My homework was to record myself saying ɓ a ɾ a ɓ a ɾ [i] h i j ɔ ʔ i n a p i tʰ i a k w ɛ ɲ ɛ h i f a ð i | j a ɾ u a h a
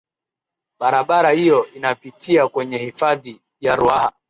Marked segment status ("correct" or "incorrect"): incorrect